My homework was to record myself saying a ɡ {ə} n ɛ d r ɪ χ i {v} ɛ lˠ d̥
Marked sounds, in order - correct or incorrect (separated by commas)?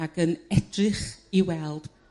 correct, incorrect